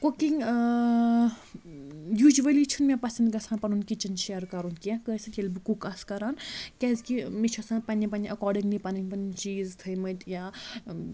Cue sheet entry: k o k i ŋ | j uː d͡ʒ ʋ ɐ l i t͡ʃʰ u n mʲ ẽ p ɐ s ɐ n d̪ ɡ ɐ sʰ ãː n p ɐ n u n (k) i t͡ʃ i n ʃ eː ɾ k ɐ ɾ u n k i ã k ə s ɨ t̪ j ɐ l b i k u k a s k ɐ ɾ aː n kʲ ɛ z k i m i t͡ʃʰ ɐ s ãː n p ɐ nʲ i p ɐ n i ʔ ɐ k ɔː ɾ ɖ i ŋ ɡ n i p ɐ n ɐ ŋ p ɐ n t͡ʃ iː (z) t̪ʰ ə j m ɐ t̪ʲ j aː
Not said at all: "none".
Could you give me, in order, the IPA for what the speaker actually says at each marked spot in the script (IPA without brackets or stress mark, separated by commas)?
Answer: k, z